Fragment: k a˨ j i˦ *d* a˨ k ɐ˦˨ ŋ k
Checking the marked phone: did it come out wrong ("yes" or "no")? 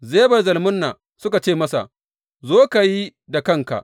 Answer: no